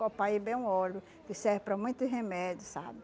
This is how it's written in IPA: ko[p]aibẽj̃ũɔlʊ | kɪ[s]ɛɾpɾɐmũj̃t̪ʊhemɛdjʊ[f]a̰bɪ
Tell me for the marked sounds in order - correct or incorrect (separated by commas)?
correct, correct, incorrect